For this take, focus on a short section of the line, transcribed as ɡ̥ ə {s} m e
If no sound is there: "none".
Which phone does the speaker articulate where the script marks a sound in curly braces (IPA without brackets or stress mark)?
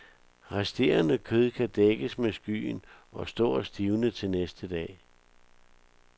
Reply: s